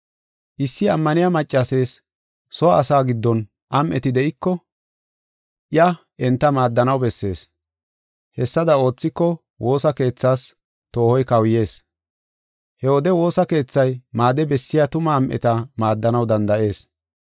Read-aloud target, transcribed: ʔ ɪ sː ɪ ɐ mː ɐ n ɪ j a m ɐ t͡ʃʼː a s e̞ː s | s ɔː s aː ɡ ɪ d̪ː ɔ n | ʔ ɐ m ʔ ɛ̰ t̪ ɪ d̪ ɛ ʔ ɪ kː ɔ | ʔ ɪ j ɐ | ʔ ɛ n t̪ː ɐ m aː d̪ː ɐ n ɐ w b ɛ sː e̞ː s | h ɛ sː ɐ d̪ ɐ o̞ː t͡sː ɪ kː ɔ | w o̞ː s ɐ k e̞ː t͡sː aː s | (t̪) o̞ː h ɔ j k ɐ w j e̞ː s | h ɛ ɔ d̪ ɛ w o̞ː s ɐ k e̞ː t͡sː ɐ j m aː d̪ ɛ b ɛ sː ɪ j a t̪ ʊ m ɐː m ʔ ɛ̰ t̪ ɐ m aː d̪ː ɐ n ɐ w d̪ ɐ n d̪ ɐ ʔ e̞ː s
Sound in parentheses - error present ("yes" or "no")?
no